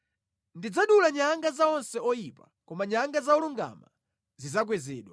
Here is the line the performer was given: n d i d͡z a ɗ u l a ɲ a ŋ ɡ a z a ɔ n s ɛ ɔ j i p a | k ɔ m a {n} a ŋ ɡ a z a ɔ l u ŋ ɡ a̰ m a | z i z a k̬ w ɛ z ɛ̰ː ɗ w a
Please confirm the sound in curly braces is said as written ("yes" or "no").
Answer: no